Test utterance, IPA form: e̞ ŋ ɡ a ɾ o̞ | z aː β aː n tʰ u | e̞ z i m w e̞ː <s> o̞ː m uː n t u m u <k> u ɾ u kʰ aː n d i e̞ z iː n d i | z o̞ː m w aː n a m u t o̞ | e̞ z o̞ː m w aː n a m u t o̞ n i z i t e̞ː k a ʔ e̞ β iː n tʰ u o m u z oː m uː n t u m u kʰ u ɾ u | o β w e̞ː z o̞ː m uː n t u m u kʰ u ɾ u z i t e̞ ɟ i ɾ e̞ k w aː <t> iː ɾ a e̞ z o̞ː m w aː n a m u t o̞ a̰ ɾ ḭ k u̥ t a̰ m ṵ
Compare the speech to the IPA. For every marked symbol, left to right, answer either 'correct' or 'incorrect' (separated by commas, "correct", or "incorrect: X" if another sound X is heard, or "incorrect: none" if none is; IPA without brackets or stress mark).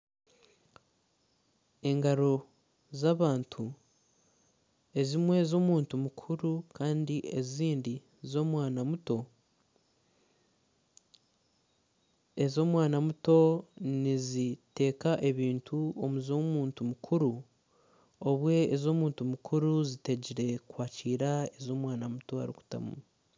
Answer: incorrect: z, incorrect: kʰ, incorrect: c